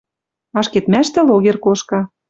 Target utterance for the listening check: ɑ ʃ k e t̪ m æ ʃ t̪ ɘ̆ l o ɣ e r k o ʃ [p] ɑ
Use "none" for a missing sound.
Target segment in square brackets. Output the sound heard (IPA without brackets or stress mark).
k